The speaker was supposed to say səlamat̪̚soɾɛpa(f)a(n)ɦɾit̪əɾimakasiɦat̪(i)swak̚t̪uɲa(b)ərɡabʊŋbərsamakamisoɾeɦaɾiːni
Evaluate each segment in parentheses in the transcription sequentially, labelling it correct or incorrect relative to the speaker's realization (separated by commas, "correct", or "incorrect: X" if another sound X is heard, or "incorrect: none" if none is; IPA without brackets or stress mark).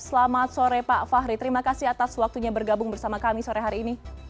correct, incorrect: none, incorrect: a, correct